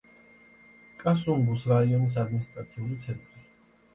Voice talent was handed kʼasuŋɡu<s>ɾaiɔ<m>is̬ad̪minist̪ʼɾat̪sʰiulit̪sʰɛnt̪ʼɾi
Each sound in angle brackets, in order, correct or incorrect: correct, incorrect

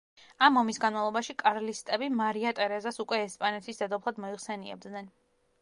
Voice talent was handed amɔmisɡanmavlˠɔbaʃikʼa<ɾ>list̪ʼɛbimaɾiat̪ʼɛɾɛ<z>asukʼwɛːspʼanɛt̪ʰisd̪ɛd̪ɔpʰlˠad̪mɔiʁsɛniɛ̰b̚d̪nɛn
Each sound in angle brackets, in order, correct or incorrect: correct, correct

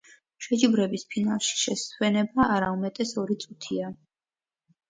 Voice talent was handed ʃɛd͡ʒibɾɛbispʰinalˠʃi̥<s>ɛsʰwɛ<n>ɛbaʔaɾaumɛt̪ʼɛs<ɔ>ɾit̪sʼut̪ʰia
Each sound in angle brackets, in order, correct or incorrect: incorrect, correct, correct

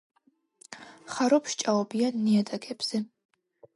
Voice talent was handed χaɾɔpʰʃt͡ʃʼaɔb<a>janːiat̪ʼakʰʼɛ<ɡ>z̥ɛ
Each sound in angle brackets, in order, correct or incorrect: incorrect, incorrect

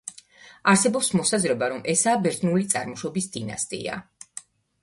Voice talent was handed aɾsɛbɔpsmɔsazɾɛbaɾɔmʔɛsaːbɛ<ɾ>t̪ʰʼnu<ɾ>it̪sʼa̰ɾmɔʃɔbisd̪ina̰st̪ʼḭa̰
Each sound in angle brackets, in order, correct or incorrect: correct, incorrect

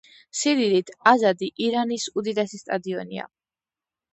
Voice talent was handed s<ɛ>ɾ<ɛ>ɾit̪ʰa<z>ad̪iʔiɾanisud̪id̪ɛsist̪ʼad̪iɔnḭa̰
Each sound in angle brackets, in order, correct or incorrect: incorrect, incorrect, correct

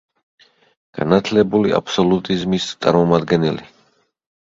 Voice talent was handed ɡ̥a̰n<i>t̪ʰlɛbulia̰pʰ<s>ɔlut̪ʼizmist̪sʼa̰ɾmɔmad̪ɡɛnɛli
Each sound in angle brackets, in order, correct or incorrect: incorrect, correct

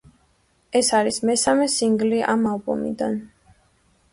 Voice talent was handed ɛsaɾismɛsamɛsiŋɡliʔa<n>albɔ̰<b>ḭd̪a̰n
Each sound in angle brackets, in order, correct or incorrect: incorrect, incorrect

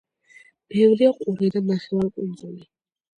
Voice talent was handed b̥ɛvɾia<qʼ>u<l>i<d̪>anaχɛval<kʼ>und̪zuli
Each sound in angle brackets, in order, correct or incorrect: correct, incorrect, correct, correct

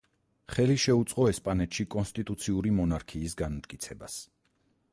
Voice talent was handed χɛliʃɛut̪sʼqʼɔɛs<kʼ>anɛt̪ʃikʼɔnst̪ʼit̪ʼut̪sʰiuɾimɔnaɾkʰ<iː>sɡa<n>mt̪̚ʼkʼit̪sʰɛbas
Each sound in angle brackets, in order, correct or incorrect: incorrect, correct, correct

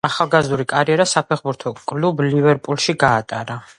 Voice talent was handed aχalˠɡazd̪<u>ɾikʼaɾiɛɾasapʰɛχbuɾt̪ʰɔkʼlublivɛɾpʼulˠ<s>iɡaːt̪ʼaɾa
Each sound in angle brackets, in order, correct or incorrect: correct, incorrect

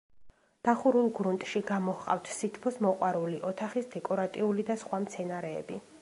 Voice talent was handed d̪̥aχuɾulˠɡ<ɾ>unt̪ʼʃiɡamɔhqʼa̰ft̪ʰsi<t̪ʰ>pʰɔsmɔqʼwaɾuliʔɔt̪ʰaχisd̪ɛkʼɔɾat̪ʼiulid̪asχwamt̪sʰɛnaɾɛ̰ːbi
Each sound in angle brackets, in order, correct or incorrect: correct, correct

